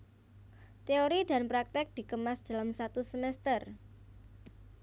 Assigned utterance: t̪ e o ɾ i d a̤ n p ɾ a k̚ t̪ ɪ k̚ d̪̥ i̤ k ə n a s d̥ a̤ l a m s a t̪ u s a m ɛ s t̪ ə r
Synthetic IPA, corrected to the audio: t̪ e o ɾ i d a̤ n p ɾ a k̚ t̪ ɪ k̚ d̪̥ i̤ k ə m a s d̥ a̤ l a m s a t̪ u s ə m ɛ s t̪ ə r